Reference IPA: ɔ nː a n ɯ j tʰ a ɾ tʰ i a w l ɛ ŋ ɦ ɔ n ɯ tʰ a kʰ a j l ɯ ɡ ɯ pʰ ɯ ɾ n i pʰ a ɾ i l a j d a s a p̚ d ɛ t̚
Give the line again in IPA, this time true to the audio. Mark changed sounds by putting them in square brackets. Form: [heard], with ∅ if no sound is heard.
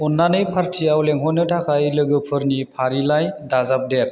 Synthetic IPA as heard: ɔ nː a n ɯ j [pʰ] a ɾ tʰ i a w l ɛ ŋ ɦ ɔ n ɯ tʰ a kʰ a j l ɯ ɡ ɯ pʰ ɯ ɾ n i pʰ a ɾ i l a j d a [z] a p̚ d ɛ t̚